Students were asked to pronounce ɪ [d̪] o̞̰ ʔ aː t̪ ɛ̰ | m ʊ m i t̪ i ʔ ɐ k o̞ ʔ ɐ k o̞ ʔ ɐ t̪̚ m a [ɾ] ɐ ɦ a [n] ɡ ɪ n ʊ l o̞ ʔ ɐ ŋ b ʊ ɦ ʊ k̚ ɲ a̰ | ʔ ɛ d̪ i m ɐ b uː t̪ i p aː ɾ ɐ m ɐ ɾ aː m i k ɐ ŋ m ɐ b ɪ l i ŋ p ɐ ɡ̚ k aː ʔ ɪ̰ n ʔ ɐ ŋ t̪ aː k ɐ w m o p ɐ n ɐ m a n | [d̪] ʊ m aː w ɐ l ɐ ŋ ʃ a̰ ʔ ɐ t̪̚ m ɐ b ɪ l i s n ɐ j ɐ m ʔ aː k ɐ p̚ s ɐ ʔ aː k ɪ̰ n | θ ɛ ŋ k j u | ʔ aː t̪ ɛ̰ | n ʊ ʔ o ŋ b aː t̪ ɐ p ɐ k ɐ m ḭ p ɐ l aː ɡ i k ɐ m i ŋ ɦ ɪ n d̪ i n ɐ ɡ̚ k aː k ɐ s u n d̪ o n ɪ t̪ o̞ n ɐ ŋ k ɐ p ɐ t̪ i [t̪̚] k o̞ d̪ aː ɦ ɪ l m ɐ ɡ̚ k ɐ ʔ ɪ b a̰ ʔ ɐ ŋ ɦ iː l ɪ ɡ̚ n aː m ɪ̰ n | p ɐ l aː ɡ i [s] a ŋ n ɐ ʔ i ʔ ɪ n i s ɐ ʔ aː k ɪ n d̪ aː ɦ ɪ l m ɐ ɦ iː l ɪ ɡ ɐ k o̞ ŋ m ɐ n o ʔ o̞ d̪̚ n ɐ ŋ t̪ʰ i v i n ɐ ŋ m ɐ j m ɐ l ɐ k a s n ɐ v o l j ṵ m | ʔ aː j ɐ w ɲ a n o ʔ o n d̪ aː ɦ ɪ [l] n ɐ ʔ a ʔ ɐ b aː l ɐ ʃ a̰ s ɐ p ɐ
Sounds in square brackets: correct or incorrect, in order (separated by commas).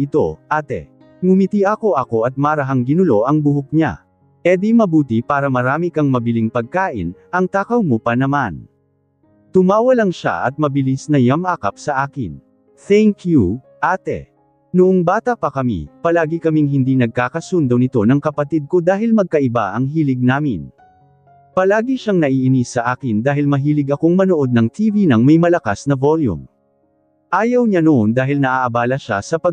incorrect, correct, incorrect, incorrect, incorrect, incorrect, correct